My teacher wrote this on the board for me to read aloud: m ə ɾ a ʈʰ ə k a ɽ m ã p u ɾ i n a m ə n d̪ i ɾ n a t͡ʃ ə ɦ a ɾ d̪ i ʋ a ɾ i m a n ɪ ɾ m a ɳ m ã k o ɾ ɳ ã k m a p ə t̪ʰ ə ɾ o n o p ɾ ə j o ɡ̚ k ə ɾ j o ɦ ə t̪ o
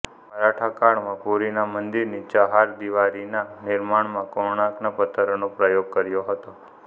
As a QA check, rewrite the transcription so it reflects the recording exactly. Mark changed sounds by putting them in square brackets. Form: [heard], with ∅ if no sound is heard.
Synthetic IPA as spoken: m ə ɾ a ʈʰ [a] k a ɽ m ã p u ɾ i n a m ə n d̪ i ɾ n [i] t͡ʃ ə ɦ a ɾ d̪ i ʋ a ɾ i [n] a n ɪ ɾ m a ɳ m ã k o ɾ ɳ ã k [n] a p ə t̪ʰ ə ɾ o n o p ɾ ə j o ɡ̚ k ə ɾ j o ɦ ə t̪ o